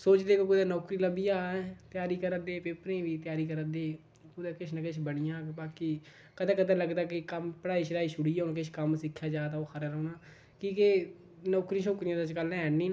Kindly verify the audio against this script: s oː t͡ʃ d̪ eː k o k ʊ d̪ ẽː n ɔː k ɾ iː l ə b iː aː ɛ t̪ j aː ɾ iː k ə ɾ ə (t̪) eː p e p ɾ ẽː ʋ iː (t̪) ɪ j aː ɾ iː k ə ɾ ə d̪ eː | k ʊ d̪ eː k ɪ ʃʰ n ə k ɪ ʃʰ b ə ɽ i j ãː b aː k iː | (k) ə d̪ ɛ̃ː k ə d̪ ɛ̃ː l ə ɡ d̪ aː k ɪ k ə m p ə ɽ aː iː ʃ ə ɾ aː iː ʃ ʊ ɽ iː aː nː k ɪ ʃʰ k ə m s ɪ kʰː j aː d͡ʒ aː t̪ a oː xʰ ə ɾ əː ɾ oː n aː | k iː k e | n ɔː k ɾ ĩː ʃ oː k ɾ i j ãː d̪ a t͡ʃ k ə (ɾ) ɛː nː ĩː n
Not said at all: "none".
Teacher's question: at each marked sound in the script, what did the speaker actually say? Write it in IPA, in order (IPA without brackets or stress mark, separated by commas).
d̪, t̪, k, l